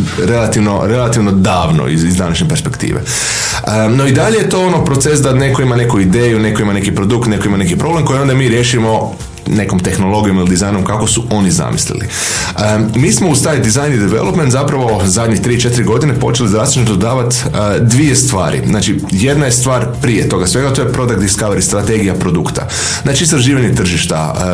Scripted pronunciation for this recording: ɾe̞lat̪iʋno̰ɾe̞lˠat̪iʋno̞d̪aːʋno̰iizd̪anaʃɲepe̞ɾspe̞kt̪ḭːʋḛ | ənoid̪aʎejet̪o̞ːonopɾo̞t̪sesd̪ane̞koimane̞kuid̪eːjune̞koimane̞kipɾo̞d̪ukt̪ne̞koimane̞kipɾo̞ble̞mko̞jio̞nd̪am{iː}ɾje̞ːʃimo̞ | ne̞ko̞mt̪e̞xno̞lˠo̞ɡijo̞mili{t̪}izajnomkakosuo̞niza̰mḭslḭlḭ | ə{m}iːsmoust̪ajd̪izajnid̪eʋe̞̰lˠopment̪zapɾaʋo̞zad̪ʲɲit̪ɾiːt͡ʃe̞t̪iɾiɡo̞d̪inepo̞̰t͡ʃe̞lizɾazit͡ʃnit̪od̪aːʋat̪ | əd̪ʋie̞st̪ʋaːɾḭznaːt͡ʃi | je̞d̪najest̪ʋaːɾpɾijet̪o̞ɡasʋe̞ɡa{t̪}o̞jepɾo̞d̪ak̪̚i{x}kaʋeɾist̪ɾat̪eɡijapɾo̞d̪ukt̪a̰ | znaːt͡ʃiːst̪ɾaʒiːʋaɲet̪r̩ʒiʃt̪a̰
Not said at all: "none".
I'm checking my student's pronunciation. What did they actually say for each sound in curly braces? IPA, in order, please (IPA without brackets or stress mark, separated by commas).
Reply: iː, d̪, m, t̪, s